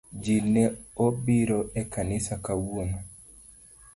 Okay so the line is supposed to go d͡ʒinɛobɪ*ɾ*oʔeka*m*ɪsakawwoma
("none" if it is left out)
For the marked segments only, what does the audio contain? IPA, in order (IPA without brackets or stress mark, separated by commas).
ɾ, n